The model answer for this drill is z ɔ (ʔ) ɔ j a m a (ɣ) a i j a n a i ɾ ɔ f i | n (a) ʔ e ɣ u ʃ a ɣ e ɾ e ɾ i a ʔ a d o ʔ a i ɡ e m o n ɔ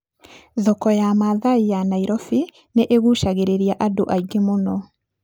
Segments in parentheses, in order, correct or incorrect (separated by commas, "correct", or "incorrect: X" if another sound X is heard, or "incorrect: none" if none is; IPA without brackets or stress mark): incorrect: k, incorrect: ð, incorrect: e